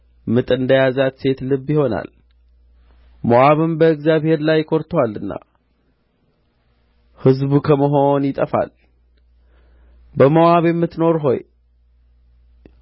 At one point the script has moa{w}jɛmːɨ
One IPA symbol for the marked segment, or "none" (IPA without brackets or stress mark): β